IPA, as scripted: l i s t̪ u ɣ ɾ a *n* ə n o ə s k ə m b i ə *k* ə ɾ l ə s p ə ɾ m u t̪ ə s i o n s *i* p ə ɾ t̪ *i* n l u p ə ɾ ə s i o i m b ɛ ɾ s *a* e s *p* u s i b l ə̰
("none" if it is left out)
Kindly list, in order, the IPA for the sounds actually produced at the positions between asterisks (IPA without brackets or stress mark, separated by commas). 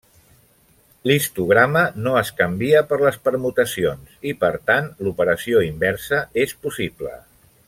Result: m, p, i, a, ə, p